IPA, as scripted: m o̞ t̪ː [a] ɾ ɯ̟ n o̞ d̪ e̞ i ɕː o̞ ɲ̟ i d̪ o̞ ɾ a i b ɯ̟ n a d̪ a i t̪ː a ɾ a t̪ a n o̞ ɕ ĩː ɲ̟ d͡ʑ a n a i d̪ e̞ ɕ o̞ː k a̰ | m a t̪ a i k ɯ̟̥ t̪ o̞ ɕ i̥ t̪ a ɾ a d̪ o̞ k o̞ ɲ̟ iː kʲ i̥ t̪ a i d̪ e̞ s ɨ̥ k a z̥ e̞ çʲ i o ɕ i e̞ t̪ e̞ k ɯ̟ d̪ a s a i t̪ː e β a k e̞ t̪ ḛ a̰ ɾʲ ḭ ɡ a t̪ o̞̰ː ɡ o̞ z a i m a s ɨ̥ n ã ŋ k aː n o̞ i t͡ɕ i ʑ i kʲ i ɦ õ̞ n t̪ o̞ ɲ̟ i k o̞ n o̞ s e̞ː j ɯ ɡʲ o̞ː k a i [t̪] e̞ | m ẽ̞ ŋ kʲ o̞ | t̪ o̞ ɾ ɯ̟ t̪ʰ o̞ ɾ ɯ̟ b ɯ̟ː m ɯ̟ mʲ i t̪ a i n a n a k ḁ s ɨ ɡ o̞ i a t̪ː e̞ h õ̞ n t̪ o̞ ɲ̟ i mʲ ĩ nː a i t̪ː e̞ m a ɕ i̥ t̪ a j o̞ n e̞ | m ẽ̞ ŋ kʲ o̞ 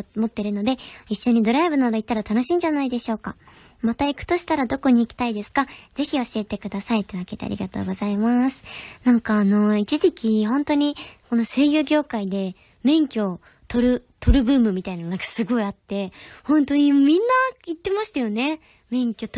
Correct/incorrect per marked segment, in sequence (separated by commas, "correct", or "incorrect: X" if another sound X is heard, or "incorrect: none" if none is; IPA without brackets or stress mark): incorrect: e, incorrect: d̪